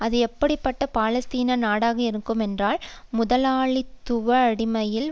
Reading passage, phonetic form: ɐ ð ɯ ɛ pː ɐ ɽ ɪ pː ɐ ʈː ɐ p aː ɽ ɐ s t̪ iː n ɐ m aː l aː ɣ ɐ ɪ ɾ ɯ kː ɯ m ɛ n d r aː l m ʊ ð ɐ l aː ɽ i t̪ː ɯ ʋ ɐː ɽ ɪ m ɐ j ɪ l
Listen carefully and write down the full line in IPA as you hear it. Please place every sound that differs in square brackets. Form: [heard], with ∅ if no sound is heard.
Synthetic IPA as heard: ɐ ð ɯ ɛ pː ɐ ɽ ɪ pː ɐ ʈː ɐ p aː [l] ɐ s t̪ iː n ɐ [n] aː [ɽ] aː ɣ ɐ ɪ ɾ ɯ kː ɯ m ɛ n d r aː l m ʊ ð ɐ l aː [ɭ] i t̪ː [ʊ] ʋ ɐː ɽ ɪ m ɐ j ɪ l